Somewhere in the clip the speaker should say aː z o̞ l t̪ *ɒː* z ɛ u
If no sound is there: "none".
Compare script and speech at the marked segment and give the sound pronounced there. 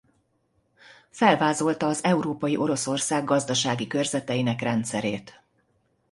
ɒː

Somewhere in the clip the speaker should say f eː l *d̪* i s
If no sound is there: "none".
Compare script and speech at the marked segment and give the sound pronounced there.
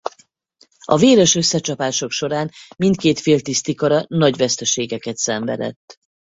t̪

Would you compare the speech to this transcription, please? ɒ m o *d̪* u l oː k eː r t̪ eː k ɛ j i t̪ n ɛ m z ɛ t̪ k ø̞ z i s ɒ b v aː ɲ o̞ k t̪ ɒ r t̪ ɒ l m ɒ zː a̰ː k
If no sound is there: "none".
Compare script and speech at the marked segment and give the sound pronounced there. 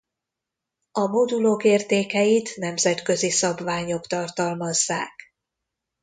d̪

